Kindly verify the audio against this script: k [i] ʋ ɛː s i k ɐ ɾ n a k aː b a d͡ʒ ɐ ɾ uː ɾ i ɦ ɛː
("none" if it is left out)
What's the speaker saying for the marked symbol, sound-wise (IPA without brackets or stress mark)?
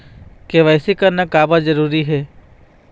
e